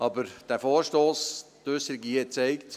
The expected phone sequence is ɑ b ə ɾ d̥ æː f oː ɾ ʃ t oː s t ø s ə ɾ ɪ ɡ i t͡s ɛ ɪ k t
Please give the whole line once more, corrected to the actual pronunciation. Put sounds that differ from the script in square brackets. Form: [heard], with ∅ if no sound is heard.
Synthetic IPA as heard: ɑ b ə ɾ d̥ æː f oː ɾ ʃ t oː s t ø s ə ɾ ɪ ɡ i t͡s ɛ ɪ k t